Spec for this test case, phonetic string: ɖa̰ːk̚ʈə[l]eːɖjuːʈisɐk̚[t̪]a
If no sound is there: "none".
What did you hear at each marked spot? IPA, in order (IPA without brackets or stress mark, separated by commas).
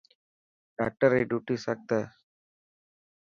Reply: ɾ, t̪